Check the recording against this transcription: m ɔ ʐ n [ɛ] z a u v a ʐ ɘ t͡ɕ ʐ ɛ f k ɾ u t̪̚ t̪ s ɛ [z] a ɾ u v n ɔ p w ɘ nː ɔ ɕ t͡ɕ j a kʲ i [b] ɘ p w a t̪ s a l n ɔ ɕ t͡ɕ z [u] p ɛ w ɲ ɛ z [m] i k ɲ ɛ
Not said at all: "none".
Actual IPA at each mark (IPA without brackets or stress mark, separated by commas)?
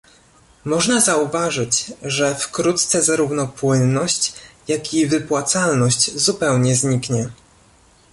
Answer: a, z, v, u, ɲ